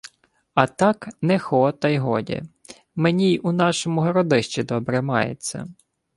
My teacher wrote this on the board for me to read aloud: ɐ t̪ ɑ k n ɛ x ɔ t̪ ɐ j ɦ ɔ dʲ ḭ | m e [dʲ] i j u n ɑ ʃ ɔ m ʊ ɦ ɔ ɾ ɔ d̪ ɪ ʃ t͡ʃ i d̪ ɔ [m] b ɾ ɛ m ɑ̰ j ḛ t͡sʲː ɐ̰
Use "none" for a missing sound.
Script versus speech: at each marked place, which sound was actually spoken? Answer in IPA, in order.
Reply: nʲ, none

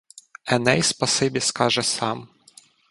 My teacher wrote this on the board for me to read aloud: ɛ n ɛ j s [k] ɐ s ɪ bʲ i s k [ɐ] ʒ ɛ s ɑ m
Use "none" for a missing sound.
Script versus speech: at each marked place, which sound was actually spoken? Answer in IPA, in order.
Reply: p, ɑ

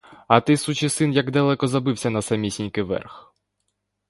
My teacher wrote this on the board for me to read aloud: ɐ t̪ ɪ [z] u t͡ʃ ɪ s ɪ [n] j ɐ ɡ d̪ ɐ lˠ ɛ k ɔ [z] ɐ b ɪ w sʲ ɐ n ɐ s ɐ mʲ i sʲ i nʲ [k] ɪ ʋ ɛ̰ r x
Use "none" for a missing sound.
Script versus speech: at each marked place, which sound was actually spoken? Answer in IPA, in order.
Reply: s, n, z, k

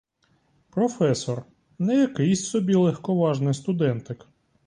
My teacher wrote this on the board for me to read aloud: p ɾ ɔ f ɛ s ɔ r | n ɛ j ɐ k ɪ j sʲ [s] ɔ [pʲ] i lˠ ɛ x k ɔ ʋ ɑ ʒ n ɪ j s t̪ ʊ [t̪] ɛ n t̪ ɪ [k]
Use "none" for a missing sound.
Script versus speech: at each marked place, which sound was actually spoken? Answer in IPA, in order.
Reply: s, bʲ, d̪, k

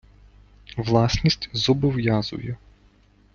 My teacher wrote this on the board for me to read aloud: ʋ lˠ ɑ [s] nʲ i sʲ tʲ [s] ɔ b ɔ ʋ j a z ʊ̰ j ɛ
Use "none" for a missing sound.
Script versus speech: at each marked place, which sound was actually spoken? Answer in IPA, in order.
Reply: s, z

